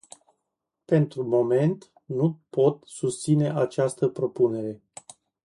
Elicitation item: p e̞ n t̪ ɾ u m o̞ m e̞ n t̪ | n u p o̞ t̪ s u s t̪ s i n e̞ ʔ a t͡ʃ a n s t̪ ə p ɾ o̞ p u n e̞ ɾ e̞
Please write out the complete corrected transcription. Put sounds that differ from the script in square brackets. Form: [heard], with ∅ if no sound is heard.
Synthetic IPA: p e̞ n t̪ ɾ u m o̞ m e̞ n t̪ | n u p o̞ t̪ s u s t̪ s i n e̞ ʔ a t͡ʃ a [∅] s t̪ ə p ɾ o̞ p u n e̞ ɾ e̞